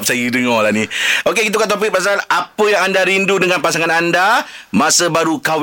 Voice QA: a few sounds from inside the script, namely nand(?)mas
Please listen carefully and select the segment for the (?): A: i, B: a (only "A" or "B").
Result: B